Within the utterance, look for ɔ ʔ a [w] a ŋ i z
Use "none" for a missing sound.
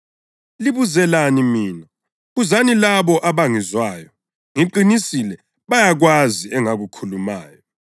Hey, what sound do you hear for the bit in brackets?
β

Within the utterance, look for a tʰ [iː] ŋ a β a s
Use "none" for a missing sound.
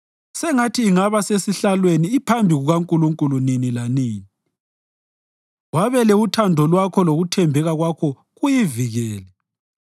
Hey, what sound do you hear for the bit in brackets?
iː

